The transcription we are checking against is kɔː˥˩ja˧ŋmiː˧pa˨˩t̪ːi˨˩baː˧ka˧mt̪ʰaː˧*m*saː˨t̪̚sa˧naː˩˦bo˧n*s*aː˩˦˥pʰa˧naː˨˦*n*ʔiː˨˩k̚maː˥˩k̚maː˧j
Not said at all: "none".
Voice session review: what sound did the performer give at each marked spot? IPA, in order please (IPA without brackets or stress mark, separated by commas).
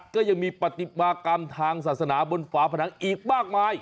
ŋ, f, ŋ